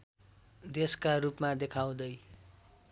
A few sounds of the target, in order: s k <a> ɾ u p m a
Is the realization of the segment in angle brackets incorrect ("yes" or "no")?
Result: no